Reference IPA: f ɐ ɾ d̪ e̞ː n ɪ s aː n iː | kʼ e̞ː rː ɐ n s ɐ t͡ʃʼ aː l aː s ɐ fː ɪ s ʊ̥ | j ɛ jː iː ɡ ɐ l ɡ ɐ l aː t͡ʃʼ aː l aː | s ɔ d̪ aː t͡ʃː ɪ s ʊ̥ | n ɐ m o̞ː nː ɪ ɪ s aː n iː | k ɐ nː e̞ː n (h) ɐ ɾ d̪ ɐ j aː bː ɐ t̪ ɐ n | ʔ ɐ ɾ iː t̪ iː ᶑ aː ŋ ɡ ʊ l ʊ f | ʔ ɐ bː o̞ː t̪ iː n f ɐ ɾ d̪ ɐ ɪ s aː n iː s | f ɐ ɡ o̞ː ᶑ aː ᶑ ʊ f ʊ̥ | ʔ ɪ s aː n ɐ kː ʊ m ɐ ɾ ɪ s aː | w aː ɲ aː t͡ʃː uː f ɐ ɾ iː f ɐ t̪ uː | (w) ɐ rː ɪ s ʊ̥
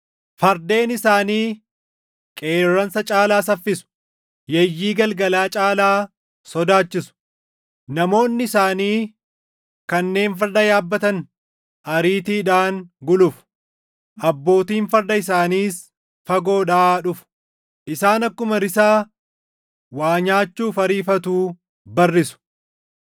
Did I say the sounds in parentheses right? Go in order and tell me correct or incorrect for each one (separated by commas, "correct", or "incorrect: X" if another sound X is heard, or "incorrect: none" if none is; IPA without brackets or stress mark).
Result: incorrect: f, incorrect: b